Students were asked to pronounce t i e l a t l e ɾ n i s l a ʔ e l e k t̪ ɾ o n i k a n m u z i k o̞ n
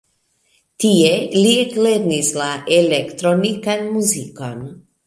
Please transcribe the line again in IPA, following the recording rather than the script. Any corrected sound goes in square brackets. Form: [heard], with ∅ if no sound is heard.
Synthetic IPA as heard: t i e l [i] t l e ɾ n i s l a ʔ e l e k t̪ ɾ o n i k a n m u z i k o̞ n